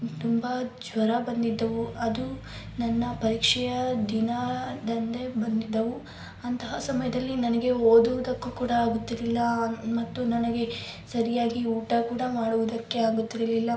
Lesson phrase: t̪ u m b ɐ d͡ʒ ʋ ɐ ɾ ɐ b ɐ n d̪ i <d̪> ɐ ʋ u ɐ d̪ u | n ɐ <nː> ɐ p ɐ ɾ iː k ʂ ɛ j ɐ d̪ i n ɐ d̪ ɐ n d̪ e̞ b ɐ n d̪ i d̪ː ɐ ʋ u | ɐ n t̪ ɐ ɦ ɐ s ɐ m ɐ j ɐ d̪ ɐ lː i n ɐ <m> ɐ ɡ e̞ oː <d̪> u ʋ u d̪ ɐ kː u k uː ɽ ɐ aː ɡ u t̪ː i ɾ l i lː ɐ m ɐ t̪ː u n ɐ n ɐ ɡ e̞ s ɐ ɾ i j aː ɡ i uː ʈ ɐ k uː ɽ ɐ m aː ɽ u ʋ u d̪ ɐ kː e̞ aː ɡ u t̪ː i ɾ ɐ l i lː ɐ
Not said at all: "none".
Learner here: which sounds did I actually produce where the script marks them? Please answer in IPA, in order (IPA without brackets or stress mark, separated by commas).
d̪ː, nː, n, d̪